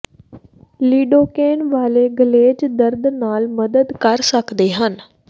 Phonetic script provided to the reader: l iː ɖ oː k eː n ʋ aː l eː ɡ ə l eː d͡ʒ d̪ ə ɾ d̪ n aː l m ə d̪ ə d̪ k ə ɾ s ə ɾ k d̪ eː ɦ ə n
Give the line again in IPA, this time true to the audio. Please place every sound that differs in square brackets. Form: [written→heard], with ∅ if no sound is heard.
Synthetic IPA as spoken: l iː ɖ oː k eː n ʋ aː l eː ɡ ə l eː d͡ʒ d̪ ə ɾ d̪ n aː l m ə d̪ ə d̪ k ə ɾ s ə [ɾ→∅] k d̪ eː ɦ ə n